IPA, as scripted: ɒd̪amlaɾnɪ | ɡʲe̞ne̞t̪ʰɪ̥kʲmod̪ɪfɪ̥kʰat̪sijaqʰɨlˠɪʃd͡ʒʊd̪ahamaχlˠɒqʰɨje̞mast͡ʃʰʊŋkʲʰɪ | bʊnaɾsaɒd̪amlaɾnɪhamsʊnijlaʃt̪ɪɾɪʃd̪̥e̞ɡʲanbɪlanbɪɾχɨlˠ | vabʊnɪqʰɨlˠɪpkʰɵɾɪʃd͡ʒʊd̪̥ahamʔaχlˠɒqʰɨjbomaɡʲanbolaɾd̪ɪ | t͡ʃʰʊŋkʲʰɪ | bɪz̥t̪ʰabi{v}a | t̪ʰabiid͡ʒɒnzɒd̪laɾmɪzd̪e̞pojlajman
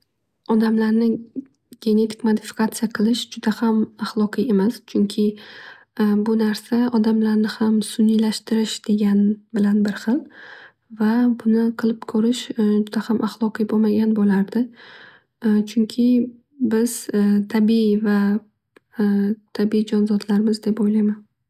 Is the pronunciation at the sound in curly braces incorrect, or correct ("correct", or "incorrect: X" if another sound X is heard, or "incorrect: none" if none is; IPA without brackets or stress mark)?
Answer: correct